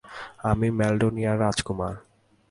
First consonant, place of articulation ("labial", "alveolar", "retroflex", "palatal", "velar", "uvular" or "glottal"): labial